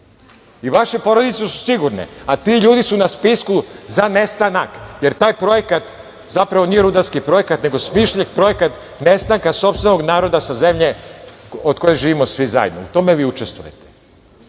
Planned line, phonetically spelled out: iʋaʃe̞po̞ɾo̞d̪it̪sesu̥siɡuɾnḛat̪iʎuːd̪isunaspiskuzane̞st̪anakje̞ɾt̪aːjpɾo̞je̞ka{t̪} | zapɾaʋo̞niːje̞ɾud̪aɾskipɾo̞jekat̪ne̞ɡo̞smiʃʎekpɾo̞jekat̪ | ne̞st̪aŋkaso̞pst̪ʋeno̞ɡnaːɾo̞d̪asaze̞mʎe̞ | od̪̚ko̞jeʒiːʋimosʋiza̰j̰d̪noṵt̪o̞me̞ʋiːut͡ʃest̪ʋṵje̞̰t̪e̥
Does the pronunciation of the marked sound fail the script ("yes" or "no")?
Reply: no